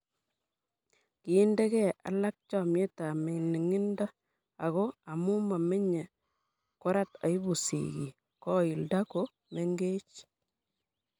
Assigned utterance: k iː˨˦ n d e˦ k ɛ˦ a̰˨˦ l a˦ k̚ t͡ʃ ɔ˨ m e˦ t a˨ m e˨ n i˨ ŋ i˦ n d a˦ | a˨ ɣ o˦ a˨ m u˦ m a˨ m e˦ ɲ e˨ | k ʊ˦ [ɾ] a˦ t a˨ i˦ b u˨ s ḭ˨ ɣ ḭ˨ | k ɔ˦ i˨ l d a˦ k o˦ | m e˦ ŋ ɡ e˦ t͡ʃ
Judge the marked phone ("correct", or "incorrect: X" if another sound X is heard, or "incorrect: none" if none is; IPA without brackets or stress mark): correct